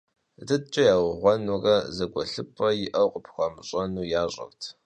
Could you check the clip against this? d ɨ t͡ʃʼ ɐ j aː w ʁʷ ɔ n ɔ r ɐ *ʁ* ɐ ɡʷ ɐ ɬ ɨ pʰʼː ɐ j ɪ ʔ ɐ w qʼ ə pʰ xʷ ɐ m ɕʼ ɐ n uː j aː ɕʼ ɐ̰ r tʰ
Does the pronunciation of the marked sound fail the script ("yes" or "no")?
yes